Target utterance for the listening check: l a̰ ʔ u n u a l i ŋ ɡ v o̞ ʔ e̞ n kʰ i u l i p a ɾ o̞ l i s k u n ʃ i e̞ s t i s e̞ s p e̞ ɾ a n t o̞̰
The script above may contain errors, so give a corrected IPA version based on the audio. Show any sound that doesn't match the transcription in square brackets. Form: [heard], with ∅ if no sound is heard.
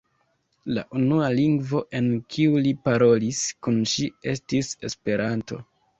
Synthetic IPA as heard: l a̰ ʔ u n u a l i ŋ ɡ v o̞ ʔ e̞ n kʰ i u l i p a ɾ o̞ l i s k u n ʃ i e̞ s t i s e̞ s p e̞ ɾ a n t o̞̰